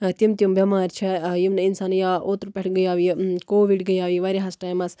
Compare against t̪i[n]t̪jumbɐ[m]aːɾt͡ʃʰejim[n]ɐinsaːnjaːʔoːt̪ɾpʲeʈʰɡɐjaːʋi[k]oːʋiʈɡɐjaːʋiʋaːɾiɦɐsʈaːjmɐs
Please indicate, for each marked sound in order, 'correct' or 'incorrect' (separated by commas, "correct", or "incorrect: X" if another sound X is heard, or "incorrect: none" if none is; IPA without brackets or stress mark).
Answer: incorrect: m, correct, correct, correct